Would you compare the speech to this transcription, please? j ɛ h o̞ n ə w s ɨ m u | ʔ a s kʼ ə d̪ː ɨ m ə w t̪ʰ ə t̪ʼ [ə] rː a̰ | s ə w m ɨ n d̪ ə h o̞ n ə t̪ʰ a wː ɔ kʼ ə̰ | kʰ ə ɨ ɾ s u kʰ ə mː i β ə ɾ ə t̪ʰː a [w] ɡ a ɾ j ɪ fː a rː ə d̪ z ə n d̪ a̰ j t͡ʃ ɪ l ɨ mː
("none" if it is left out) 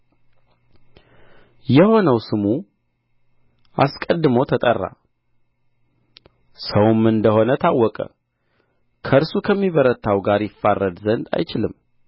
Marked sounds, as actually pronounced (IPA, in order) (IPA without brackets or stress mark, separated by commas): ə, w